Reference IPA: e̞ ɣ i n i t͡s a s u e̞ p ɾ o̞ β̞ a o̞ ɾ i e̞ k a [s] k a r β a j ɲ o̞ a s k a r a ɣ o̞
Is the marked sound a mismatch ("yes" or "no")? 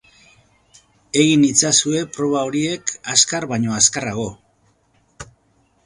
no